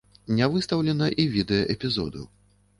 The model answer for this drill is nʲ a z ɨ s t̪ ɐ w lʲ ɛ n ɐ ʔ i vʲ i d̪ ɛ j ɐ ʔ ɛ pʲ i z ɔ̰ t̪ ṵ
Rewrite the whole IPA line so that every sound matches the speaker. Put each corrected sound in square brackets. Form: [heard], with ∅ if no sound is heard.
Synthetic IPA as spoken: nʲ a [v] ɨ s t̪ ɐ w lʲ ɛ n ɐ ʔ i vʲ i d̪ ɛ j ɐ ʔ ɛ pʲ i z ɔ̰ [d̪] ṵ